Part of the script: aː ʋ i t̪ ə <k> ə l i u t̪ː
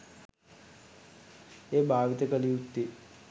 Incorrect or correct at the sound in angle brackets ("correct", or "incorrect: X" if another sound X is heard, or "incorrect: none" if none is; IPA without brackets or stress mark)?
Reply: correct